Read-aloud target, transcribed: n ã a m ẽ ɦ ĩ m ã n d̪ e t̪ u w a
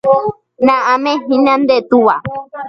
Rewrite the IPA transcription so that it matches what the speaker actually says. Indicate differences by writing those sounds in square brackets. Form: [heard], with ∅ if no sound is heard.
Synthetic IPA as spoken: n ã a m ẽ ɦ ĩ [n] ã n d̪ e t̪ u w a